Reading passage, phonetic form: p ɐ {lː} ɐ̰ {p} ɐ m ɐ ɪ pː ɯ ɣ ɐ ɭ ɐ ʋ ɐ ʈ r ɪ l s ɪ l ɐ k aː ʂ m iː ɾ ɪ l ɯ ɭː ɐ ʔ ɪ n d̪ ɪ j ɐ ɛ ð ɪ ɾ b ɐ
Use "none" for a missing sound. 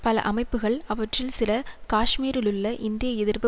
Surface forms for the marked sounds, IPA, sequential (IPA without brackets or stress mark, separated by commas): l, ʔ